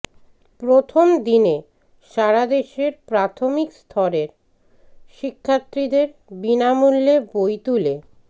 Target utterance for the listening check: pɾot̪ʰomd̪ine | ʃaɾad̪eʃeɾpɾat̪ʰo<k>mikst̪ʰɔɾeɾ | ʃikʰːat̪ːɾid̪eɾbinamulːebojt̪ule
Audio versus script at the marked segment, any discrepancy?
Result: yes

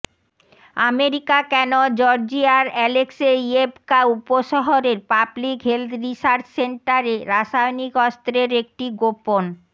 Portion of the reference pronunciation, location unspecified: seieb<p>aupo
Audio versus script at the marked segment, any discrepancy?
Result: yes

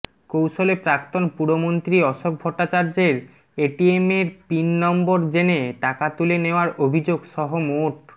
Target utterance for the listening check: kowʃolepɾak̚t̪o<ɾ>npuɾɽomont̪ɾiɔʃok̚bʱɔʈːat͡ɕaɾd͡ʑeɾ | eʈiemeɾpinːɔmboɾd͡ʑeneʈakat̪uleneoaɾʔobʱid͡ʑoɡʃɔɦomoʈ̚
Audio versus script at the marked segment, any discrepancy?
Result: yes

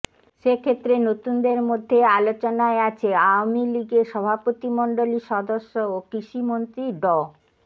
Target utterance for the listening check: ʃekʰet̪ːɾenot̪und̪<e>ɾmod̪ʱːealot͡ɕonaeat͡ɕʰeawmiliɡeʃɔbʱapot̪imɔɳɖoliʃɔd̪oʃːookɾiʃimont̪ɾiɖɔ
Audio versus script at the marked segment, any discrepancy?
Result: no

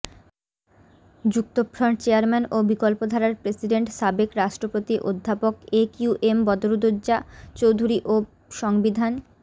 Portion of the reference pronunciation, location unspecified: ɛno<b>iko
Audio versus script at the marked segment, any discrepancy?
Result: no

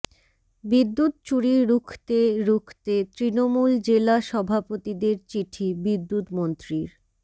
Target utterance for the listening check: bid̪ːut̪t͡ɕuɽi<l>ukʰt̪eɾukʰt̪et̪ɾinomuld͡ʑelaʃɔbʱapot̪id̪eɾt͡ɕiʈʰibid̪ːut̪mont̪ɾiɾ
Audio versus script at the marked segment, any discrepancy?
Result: yes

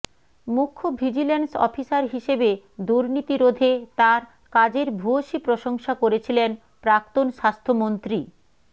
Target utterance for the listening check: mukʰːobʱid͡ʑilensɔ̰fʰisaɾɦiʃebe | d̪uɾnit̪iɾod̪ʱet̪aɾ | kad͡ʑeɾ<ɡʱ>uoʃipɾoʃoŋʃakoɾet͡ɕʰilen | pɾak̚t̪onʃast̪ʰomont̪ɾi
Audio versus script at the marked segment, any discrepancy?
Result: yes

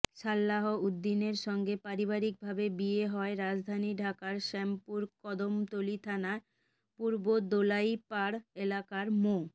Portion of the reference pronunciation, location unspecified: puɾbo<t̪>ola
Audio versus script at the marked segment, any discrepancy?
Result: yes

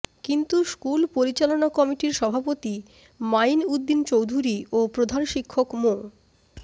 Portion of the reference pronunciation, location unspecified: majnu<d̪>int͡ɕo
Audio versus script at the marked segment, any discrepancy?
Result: yes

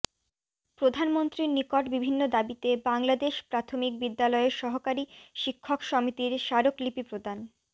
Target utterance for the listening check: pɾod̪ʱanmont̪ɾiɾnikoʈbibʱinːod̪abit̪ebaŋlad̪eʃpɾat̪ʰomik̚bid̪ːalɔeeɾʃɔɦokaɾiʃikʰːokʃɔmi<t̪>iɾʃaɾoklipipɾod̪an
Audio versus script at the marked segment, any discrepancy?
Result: no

